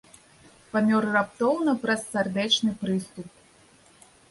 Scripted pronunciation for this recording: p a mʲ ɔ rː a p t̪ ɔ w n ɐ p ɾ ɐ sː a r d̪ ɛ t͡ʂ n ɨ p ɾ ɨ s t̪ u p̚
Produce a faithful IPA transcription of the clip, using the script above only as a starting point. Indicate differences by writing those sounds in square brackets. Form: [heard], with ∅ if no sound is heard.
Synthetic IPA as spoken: p a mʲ ɔ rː a p t̪ ɔ w n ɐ p ɾ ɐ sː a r d̪ ɛ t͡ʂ n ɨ p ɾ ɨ s t̪ u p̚